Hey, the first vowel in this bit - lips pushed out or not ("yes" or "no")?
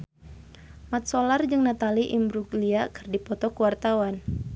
no